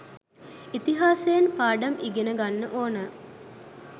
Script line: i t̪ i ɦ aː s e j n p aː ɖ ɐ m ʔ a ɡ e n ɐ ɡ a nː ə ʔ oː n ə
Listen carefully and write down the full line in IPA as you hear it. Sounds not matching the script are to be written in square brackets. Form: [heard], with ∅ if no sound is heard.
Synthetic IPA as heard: i t̪ i ɦ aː s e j n p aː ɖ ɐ m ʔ [i] ɡ e n [ə] ɡ a nː ə ʔ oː n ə